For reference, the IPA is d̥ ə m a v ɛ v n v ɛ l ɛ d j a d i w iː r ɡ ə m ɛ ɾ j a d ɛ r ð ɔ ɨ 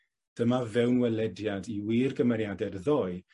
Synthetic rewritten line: d̥ ə m a v ɛ w n w ɛ l ɛ d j a d i w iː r ɡ ə m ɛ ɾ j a d ɛ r ð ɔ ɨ